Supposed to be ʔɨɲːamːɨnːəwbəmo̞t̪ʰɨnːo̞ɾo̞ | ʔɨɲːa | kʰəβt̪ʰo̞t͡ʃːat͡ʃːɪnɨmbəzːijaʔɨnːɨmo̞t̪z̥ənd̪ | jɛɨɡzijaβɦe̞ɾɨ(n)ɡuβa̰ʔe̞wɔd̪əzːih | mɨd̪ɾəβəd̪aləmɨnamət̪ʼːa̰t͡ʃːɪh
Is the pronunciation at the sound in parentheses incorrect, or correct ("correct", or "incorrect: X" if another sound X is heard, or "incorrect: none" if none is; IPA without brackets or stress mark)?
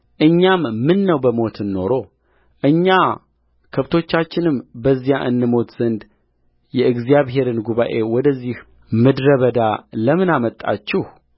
correct